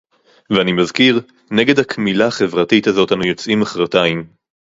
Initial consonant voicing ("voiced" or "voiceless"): voiced